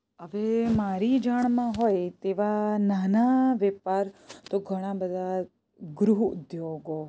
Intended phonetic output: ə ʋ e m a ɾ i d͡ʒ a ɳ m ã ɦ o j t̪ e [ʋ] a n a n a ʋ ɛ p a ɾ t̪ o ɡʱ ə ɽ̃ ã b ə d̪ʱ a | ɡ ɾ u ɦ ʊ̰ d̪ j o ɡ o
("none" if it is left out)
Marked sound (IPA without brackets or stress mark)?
ʋ